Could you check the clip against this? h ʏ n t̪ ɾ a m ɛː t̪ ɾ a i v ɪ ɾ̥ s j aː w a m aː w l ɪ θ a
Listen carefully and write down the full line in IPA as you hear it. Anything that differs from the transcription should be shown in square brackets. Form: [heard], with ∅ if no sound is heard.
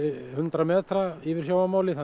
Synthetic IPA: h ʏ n t̪ ɾ a m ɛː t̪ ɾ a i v ɪ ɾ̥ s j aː w a m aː w l ɪ θ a